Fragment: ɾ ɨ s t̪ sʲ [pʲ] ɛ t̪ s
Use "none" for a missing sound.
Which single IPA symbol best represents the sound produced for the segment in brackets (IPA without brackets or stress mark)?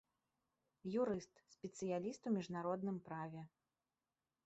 pʲ